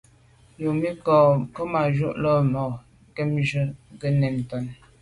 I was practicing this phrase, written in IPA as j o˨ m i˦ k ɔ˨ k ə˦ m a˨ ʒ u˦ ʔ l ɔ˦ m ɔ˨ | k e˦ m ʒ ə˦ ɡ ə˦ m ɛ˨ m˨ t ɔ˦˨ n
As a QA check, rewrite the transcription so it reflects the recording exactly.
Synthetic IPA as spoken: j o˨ m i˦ k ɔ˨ k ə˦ m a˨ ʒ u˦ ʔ l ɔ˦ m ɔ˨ | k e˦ m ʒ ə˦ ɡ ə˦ n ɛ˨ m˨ t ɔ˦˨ n